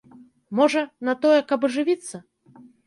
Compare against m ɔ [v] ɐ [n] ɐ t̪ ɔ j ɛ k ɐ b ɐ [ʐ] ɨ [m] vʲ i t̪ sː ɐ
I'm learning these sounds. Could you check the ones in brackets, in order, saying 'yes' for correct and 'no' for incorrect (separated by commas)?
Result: no, yes, yes, no